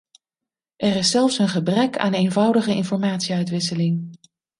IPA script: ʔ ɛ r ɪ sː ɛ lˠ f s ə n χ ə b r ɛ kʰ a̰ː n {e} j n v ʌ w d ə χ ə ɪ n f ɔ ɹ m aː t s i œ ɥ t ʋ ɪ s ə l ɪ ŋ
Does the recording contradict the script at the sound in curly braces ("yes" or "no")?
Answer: no